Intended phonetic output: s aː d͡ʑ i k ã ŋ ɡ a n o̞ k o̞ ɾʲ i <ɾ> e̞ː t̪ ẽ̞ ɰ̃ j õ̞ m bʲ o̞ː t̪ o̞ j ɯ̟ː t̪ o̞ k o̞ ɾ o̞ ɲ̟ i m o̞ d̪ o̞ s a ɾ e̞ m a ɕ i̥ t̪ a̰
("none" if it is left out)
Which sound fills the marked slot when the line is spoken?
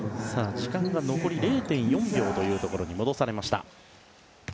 ɾ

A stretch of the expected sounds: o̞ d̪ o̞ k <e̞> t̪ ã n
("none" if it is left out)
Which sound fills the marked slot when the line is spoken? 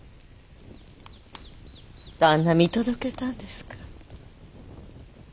e̞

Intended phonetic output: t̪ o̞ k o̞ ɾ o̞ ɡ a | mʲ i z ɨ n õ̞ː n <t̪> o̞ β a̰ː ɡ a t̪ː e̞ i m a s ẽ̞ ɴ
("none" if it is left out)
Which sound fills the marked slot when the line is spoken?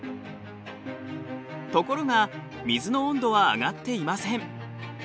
d̪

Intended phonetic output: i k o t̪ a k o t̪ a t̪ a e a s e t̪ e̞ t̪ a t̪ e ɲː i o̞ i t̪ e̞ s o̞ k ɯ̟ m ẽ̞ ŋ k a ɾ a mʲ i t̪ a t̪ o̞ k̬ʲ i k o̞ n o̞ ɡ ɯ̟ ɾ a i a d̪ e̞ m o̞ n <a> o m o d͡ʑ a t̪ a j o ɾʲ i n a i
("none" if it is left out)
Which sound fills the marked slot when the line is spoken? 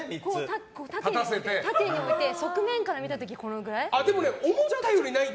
e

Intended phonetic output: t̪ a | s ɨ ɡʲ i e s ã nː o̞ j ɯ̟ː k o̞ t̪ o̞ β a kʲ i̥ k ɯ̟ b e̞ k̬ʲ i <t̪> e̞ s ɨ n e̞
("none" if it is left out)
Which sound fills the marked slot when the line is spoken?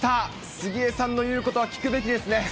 d̪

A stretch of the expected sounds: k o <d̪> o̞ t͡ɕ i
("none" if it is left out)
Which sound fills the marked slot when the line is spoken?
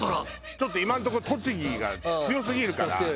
t̪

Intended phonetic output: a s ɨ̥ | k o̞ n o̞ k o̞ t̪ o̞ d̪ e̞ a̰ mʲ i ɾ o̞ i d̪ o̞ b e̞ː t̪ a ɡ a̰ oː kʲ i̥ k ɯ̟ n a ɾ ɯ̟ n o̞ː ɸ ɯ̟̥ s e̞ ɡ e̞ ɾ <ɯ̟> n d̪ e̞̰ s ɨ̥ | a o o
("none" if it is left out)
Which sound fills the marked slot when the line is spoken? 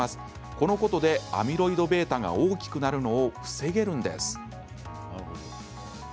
ɯ̟̃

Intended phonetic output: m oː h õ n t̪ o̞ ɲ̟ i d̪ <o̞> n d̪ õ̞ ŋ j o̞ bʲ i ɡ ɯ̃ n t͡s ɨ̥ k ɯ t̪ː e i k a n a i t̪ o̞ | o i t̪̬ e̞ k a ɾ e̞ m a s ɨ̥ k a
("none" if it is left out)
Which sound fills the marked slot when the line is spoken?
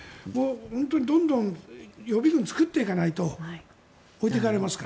õ̞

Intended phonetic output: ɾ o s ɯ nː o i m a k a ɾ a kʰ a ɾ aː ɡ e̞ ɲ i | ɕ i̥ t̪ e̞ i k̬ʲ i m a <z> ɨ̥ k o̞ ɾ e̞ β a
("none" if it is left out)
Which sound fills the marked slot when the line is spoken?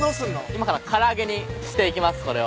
s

